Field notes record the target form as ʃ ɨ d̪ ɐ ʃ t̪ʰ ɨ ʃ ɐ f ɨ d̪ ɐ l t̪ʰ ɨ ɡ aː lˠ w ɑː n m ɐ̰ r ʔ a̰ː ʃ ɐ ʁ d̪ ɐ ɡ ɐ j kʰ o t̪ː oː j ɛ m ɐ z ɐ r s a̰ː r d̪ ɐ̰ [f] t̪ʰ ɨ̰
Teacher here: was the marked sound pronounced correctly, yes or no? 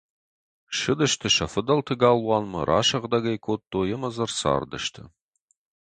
no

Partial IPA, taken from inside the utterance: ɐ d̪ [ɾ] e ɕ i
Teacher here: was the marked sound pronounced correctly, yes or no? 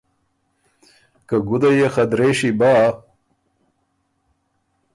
yes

